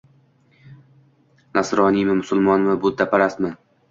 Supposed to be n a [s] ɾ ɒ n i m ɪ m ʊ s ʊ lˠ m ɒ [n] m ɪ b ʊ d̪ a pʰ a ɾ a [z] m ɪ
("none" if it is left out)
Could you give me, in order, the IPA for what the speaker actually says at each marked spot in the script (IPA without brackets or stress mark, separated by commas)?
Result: s, n, s